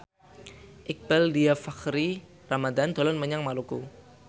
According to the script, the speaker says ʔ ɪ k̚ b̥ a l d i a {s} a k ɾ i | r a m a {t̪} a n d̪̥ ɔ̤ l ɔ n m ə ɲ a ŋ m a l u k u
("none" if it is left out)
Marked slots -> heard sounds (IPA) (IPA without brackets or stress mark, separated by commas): f, d̪